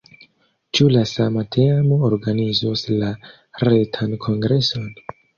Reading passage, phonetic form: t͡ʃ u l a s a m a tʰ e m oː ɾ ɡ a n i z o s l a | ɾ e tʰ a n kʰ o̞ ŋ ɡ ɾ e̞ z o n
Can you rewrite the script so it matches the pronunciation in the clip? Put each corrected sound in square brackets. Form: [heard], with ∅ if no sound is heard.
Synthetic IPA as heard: t͡ʃ u l a s a m a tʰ e m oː ɾ ɡ a n i z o s l a | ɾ e tʰ a n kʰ o̞ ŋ ɡ ɾ e̞ [s] o n